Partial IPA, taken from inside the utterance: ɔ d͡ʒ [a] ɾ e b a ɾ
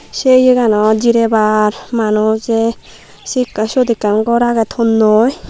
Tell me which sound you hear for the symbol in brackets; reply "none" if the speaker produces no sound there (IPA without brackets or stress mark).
i